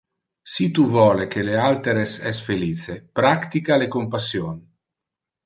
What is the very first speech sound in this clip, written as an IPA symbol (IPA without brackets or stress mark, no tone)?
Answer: s